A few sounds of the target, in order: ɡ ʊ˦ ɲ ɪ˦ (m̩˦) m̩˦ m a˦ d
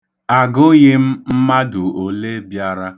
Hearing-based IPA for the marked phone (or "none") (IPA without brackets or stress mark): m̩˦